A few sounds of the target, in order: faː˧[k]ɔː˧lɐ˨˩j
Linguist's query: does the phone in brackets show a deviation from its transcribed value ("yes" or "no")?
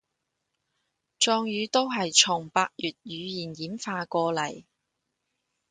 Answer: no